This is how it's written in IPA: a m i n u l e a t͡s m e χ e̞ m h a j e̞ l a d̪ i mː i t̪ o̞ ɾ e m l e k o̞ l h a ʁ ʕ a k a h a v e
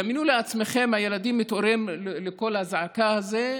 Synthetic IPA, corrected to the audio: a m i n u l e a t͡s m e χ e̞ m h a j e̞ l a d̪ i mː i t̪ o̞ ɾ e m l e k o̞ l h a z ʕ a k a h a z e